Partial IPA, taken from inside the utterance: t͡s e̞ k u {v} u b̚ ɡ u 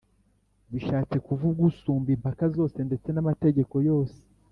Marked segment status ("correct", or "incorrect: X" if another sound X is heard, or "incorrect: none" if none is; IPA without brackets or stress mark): correct